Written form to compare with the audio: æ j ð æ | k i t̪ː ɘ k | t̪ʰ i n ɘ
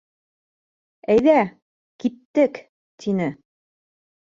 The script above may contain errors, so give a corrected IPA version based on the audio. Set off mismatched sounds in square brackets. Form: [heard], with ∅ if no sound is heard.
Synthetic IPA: æ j ð æ | k i t̪ː ɘ k | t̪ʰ i n ɘ